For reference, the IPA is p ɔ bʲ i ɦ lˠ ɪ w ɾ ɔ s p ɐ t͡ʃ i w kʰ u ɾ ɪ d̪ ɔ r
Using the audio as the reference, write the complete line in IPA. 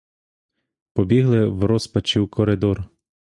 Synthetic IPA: p ɔ bʲ i ɦ lˠ ɪ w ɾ ɔ s p ɐ t͡ʃ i w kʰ ɔ ɾ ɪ d̪ ɔ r